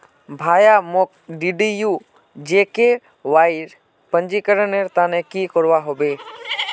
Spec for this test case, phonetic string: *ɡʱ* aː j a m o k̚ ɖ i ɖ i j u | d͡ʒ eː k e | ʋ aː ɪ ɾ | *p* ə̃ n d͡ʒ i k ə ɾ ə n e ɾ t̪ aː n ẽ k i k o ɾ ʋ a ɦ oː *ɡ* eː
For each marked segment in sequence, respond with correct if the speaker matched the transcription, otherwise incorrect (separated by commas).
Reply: incorrect, correct, incorrect